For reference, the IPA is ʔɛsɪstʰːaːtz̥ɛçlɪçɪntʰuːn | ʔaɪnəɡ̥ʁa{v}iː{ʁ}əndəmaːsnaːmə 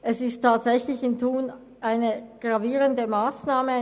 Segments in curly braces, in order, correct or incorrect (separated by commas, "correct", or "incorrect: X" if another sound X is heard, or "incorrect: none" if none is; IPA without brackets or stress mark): correct, correct